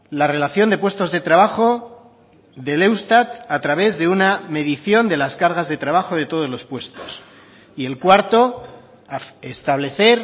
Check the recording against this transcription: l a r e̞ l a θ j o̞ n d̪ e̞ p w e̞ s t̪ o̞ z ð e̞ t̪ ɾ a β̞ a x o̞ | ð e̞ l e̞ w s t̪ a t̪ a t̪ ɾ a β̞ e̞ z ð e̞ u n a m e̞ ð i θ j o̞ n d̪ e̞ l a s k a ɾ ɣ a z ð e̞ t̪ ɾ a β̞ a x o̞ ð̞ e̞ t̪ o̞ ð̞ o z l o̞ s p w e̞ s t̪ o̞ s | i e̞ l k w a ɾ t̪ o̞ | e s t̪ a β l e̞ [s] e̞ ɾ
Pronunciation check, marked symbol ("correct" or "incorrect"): incorrect